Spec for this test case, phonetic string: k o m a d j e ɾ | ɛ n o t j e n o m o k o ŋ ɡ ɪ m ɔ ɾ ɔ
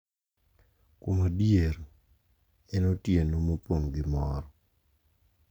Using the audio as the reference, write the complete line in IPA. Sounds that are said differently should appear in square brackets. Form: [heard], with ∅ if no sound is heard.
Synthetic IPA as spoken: k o m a d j e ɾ | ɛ n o t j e n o m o [p] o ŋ ɡ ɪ m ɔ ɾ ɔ

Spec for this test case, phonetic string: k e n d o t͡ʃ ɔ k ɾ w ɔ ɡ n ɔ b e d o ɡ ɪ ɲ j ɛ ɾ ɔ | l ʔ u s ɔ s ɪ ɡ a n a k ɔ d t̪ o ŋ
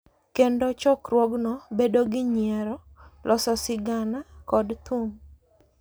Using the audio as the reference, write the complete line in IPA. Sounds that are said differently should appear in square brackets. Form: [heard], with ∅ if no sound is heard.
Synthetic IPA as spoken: k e n d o t͡ʃ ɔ k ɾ w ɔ ɡ n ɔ b e d o ɡ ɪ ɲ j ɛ ɾ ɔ | l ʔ [ɔ] s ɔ s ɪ ɡ a n a k ɔ d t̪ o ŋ

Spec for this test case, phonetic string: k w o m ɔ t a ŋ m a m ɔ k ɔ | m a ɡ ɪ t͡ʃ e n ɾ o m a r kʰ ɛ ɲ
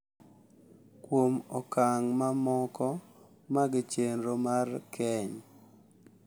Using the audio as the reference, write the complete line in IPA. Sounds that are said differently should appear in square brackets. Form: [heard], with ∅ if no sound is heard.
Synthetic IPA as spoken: k w o m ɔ [k] a ŋ m a m ɔ k ɔ | m a ɡ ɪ t͡ʃ e n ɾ o m a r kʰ ɛ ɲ

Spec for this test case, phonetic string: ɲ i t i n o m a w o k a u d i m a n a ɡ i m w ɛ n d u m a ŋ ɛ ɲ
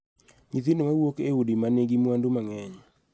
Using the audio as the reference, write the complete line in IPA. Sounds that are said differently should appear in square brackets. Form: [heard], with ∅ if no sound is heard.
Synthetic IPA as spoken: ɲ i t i n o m a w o k [e] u d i m a n [e] ɡ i m w [a] n d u m a ŋ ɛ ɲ

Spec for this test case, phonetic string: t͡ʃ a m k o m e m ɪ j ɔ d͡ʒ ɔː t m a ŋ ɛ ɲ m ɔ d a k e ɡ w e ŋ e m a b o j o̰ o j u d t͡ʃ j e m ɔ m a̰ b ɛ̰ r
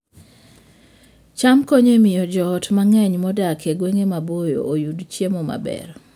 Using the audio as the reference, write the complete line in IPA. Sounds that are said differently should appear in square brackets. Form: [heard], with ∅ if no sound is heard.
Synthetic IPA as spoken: t͡ʃ a m k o [ɲ] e m ɪ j ɔ d͡ʒ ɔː t m a ŋ ɛ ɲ m ɔ d a k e ɡ w e ŋ e m a b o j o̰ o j u d t͡ʃ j e m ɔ m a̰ b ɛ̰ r

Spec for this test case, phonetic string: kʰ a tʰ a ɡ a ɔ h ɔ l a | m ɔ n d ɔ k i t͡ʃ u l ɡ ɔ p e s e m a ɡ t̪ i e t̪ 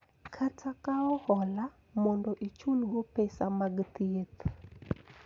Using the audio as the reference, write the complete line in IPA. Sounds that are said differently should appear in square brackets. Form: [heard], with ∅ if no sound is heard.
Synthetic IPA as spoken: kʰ a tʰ a [k] a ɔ h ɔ l a | m ɔ n d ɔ [ʔ] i t͡ʃ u l ɡ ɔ p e s [a] m a ɡ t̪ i e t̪

